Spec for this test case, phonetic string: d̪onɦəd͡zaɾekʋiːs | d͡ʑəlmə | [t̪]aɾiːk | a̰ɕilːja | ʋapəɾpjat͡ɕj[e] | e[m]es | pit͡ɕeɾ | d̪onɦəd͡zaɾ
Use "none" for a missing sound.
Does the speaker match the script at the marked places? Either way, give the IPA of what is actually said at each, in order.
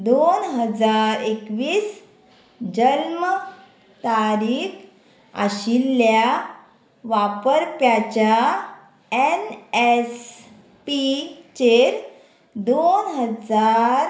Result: t̪, a, n

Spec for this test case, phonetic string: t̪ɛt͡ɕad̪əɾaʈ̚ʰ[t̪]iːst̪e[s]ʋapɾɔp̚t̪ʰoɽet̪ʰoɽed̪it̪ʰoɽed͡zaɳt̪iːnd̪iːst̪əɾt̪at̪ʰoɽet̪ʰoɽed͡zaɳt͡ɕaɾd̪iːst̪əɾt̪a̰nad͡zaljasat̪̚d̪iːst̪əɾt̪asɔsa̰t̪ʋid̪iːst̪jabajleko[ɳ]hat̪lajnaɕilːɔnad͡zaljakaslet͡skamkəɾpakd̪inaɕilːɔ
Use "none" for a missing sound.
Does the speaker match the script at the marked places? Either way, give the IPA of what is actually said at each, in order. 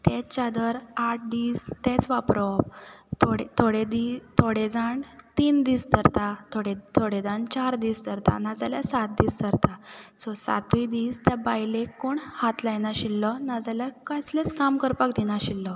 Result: d̪, t͡s, ɳ

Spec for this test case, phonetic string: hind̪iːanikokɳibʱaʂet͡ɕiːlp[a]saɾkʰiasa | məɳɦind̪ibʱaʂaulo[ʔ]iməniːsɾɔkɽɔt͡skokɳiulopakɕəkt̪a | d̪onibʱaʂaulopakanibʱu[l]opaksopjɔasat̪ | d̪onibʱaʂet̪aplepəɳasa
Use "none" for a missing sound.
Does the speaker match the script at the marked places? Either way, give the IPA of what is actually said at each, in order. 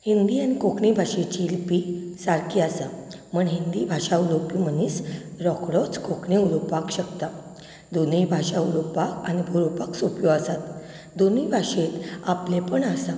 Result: i, p, ɾ

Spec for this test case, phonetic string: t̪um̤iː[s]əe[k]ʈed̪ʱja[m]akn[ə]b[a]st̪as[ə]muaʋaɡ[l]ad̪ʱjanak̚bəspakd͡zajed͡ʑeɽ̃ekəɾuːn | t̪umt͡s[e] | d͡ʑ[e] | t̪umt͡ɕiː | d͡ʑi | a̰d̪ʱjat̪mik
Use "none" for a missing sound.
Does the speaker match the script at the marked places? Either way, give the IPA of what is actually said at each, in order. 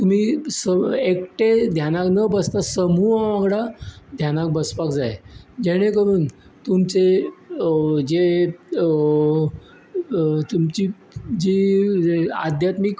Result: s, k, n, ə, ə, ə, ɽ, e, e

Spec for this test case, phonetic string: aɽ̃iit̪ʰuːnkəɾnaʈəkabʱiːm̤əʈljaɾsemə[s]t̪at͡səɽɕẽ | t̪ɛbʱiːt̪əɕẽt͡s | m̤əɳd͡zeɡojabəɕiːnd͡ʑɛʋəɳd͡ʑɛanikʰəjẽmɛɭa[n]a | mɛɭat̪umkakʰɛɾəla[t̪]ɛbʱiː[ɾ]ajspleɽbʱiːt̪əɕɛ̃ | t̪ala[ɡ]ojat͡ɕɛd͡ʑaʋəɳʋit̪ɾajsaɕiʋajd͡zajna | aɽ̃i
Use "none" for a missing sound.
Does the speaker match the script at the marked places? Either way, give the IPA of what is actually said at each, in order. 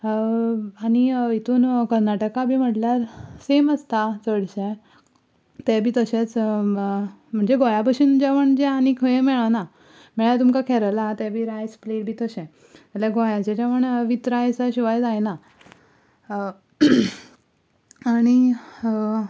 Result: s, n, t̪, ɾ, ɡ

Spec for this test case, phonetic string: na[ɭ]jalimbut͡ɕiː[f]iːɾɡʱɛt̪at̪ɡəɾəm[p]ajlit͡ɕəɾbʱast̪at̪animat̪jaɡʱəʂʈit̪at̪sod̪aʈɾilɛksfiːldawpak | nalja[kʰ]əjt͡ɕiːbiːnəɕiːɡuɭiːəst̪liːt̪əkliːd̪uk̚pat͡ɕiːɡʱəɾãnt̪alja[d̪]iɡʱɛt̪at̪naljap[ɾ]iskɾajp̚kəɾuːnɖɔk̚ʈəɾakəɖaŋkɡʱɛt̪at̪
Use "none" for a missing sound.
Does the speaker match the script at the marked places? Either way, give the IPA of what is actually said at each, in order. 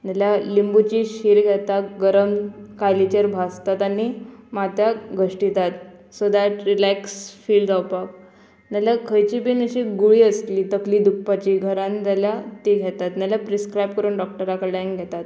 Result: l, ɕ, k, kʰ, t̪, ɾ

